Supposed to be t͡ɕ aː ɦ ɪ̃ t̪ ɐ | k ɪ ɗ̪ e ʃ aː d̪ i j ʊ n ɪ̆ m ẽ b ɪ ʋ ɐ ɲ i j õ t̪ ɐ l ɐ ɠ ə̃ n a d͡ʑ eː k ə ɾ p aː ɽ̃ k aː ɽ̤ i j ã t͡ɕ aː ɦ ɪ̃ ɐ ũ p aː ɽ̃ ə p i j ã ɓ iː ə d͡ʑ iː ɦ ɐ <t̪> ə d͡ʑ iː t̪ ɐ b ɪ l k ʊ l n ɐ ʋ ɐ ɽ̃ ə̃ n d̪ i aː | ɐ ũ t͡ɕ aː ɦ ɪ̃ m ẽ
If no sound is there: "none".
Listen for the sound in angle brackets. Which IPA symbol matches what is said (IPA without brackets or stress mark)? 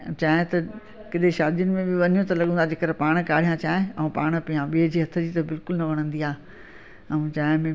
t̪ʰ